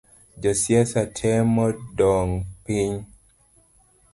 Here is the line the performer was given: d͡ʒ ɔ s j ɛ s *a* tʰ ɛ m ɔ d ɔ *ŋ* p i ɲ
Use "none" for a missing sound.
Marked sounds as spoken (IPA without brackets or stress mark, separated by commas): a, ŋ